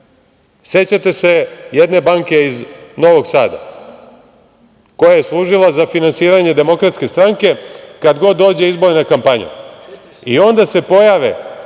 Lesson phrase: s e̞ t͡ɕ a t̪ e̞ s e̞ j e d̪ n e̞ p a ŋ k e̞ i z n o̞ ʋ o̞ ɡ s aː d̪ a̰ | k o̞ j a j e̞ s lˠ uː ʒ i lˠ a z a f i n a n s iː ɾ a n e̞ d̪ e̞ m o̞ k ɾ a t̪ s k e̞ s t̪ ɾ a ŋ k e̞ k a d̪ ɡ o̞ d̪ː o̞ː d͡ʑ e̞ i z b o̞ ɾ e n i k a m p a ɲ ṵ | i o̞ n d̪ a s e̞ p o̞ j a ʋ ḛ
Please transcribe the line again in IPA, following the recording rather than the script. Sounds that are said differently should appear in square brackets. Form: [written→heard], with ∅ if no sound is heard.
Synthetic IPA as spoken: s e̞ t͡ɕ a t̪ e̞ s e̞ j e d̪ n e̞ [p→b] a ŋ k e̞ i z n o̞ ʋ o̞ ɡ s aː d̪ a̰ | k o̞ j a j e̞ s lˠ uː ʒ i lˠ a z a f i n a n s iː ɾ a [n→ɲ] e̞ d̪ e̞ m o̞ k ɾ a t̪ s k e̞ s t̪ ɾ a ŋ k e̞ k a d̪ ɡ o̞ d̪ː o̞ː d͡ʑ e̞ i z b o̞ ɾ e n [i→a] k a m p a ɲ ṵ | i o̞ n d̪ a s e̞ p o̞ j a ʋ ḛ